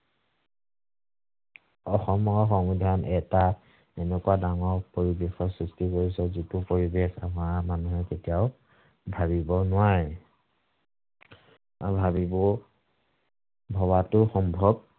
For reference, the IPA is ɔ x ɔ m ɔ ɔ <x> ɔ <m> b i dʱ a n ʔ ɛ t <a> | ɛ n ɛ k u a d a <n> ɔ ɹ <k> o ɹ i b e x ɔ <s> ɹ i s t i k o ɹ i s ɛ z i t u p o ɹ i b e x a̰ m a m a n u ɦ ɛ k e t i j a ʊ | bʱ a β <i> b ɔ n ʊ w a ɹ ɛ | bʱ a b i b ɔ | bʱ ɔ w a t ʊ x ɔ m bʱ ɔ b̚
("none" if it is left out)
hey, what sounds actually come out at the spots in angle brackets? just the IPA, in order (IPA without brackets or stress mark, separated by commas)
x, ŋ, a, ŋ, p, s, i